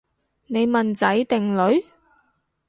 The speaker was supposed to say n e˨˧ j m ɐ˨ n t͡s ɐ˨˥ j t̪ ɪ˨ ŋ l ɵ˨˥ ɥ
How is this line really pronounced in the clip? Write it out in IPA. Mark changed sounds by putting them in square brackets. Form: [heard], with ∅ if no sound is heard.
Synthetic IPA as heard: n e˨˧ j m ɐ˨ n t͡s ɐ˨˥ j t̪ ɪ˨ ŋ l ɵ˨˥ ɥ

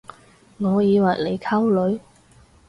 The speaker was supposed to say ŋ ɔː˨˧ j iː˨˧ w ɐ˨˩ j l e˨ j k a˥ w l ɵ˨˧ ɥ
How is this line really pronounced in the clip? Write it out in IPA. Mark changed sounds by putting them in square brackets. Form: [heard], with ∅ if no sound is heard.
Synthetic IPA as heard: ŋ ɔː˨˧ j iː˨˧ w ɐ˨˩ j l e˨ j [kʰ] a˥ w l ɵ˨˧ ɥ

